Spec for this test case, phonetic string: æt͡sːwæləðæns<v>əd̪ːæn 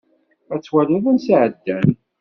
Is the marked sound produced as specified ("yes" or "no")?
no